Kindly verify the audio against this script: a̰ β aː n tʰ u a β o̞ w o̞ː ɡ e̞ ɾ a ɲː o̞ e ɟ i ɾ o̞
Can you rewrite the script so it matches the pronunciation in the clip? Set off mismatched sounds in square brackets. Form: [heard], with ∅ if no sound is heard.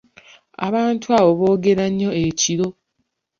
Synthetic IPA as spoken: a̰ β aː n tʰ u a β o̞ [β] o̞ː ɡ e̞ ɾ a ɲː o̞ e [c] i ɾ o̞

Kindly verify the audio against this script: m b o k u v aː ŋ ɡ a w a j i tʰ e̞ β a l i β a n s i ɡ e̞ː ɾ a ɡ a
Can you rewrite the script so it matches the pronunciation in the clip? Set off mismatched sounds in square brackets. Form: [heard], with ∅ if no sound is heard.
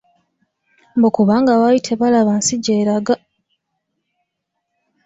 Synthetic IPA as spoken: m b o k u [β] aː ŋ ɡ a w a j i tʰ e̞ β a l [a] β a n s i [ɟ] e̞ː ɾ a ɡ a

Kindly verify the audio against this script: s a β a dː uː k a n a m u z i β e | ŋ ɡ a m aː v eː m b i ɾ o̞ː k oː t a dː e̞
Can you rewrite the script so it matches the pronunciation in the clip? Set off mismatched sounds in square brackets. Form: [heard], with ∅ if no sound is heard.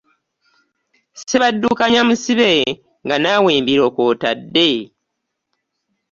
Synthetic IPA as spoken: s [e] β a dː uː k a [ɲ] a m u [s] i β e | ŋ ɡ a [n] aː [w] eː m b i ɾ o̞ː k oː t a dː e̞

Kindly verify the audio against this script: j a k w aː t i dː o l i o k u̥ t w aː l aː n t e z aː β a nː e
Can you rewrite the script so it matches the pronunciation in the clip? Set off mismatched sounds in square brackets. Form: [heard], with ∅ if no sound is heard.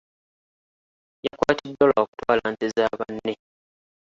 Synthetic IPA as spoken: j a k w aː t i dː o l [a] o k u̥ t w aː l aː n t e z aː β a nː e

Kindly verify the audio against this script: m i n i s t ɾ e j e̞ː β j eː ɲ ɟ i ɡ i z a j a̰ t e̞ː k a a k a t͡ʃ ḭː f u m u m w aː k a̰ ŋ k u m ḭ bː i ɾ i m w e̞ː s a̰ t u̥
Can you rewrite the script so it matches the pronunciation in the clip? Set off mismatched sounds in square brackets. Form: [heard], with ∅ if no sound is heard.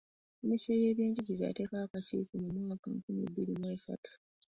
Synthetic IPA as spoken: m i n i s t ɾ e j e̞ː β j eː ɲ ɟ i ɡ i z a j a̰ t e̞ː k a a k a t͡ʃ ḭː f u m u m w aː k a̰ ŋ k u m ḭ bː i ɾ i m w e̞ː s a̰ t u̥

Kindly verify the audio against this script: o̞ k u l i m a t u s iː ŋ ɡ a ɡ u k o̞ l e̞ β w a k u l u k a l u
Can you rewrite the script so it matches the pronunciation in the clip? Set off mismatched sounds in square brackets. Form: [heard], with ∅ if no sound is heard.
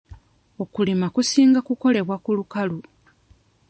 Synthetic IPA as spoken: o̞ k u l i m a [k] u s iː ŋ ɡ a [k] u k o̞ l e̞ β w a k u l u k a l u

